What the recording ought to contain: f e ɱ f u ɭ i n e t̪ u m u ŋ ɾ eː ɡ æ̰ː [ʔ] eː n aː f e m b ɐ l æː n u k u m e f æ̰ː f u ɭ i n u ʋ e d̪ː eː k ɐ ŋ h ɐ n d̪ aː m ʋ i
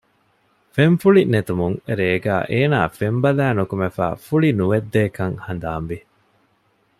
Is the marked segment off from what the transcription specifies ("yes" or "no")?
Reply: no